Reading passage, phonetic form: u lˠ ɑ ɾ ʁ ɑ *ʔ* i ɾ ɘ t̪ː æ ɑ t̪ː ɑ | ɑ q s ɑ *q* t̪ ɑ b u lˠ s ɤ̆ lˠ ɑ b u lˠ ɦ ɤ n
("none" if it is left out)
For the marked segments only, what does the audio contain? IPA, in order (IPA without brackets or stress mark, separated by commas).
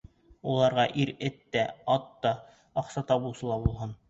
ʔ, none